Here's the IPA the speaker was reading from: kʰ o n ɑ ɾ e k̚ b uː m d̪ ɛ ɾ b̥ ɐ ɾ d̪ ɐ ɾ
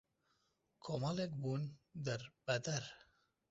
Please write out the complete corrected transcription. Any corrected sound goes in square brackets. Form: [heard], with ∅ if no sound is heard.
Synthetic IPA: kʰ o [m] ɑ [l] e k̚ b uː [n] d̪ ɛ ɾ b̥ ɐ [∅] d̪ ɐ ɾ